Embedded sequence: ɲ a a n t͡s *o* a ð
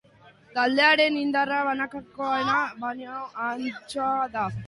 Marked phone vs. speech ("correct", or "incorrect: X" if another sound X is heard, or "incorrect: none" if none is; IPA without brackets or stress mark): correct